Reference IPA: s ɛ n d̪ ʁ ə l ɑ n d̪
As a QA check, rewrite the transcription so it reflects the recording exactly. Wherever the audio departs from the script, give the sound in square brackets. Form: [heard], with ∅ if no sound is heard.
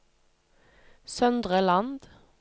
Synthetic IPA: s [œ] n d̪ ʁ ə l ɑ n d̪